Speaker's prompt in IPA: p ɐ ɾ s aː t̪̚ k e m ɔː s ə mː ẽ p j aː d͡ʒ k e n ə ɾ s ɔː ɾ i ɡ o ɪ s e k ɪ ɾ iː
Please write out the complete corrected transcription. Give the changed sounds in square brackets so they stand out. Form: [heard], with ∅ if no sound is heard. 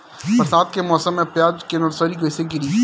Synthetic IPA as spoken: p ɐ ɾ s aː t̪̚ k e m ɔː s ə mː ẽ p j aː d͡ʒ k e n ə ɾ s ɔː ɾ i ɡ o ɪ s e [ɡ] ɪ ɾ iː